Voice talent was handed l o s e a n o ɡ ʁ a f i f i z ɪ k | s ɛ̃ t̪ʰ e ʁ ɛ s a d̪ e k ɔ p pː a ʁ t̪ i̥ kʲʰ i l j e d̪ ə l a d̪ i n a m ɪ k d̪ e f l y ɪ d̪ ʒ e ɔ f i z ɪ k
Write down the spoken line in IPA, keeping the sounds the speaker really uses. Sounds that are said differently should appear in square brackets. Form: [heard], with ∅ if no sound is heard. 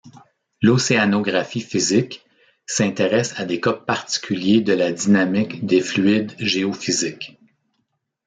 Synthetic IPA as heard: l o s e a n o ɡ ʁ a f i f i z ɪ k | s ɛ̃ [t̪] e ʁ ɛ s a d̪ e k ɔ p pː a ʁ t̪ i̥ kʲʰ [y] l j e d̪ ə l a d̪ i n a m ɪ k d̪ e f l y ɪ d̪ ʒ e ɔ f i z ɪ k